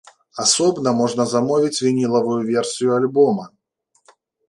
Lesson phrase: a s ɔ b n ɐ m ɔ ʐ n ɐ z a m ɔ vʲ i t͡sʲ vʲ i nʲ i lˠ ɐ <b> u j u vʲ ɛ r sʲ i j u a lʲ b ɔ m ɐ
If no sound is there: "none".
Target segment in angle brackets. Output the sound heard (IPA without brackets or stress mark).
v